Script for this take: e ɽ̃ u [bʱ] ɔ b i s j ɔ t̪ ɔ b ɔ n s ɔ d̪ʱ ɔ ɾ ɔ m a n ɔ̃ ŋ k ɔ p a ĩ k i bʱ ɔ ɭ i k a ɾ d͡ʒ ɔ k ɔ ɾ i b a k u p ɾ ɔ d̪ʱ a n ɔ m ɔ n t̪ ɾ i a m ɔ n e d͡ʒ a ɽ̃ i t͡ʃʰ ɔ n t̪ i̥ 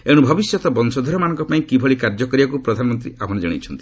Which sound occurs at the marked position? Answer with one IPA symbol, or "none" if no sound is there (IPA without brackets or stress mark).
bʱ